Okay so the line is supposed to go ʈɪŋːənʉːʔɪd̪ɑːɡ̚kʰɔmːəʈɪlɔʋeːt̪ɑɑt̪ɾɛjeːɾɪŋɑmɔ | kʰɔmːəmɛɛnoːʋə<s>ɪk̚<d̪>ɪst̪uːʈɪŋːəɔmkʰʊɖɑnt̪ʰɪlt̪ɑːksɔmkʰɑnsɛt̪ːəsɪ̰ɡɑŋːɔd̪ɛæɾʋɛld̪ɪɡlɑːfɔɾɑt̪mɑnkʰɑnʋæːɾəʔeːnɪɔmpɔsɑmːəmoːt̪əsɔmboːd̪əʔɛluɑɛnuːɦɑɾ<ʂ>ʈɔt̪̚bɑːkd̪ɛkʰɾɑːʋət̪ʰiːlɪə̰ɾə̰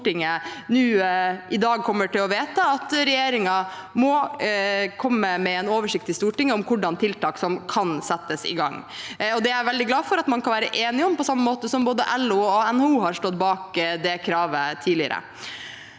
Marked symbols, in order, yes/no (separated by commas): no, no, yes